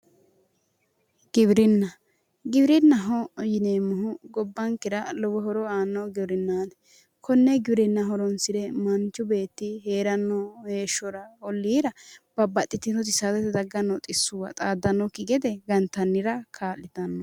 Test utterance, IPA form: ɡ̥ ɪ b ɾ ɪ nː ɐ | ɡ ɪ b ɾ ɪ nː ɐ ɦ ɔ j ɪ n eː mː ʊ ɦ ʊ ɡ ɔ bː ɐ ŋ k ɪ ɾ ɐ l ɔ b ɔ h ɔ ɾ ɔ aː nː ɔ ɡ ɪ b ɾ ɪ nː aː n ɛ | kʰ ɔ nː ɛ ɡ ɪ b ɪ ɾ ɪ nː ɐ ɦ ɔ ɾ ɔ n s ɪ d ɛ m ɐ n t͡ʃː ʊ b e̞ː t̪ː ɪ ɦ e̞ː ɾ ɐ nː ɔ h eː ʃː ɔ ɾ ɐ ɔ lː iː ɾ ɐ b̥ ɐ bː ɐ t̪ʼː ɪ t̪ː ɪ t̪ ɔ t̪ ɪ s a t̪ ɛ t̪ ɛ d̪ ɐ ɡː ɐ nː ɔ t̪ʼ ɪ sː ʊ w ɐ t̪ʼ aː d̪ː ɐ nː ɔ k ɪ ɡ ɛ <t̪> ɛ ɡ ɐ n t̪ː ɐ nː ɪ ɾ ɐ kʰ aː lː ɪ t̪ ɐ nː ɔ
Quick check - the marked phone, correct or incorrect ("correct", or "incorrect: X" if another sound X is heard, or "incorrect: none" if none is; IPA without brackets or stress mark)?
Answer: incorrect: d̪